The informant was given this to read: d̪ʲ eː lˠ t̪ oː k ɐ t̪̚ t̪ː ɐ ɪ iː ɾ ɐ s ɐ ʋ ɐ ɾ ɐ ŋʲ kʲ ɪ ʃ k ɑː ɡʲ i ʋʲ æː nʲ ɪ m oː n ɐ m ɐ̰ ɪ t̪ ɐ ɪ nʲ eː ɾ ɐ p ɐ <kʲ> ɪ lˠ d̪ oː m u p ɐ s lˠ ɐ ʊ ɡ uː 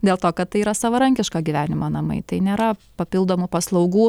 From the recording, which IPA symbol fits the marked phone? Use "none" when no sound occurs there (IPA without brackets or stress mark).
pʲ